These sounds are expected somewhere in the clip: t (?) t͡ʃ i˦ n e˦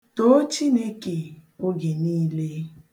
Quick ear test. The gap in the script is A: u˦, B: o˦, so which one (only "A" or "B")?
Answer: B